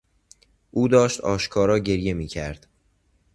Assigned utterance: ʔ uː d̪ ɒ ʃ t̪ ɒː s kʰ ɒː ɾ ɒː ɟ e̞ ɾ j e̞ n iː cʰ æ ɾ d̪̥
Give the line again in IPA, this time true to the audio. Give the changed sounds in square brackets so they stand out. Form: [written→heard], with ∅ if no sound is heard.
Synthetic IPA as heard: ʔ uː d̪ [ɒ→ɒː] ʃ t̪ ɒː [s→ʃ] kʰ ɒː ɾ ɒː ɟ e̞ ɾ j e̞ [n→m] iː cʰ æ ɾ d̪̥

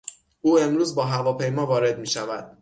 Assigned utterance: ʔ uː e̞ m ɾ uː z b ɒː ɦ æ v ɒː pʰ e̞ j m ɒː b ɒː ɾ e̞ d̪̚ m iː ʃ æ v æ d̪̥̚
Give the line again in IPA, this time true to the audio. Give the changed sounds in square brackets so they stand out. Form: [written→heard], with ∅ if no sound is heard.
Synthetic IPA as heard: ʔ uː e̞ m ɾ uː z b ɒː ɦ æ v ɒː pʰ e̞ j m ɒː [b→v] ɒː ɾ e̞ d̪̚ m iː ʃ æ v æ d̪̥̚

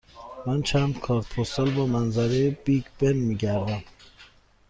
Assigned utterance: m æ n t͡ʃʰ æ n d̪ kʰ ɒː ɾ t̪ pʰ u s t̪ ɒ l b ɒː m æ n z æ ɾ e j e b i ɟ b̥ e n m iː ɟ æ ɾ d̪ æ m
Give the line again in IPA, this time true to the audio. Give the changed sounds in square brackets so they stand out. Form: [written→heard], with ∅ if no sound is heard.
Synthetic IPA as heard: m æ n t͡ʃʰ æ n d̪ kʰ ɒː ɾ t̪ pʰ [u→o] s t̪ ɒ l b ɒː m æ n z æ ɾ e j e b i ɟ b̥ e n m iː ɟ æ ɾ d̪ æ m

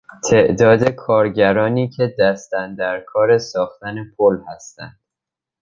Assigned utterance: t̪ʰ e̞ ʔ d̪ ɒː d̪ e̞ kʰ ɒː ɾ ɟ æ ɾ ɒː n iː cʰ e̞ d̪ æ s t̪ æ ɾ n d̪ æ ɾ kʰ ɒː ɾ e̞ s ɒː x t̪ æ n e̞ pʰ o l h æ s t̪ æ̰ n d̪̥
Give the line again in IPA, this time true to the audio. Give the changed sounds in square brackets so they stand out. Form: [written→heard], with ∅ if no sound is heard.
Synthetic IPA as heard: t̪ʰ e̞ ʔ d̪ ɒː d̪ e̞ kʰ ɒː ɾ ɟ æ ɾ ɒː n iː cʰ e̞ d̪ æ s t̪ æ [ɾ→∅] n d̪ æ ɾ kʰ ɒː ɾ e̞ s ɒː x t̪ æ n e̞ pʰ o l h æ s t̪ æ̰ n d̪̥

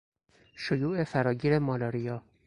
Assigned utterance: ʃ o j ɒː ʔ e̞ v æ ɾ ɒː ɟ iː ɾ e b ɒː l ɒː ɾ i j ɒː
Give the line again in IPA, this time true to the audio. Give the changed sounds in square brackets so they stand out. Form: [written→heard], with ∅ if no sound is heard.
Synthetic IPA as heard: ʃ o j [ɒː→uː] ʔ e̞ [v→f] æ ɾ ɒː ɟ iː ɾ e [b→m] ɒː l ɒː ɾ i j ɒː

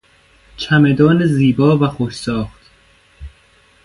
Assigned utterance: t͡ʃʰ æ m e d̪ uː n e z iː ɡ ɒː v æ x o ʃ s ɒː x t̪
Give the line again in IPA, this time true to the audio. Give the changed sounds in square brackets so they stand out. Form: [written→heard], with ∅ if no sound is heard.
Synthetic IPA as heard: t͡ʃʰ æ m e d̪ [uː→ɒː] n e z iː [ɡ→b] ɒː v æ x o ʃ s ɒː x t̪

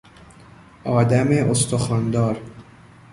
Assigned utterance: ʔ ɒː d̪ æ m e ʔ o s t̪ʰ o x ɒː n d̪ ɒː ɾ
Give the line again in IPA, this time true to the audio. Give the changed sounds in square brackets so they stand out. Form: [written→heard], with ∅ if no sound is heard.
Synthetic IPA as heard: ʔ ɒː d̪ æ m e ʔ o s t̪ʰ o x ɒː n d̪ ɒː ɾ

